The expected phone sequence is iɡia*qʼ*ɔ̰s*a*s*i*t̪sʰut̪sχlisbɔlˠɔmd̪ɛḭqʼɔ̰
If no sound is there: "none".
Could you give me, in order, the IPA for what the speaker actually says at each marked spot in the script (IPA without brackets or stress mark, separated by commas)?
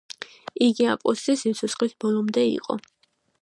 pʼ, i, i